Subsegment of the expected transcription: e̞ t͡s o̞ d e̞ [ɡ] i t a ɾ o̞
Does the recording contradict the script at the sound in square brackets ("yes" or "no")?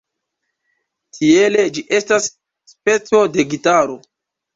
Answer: no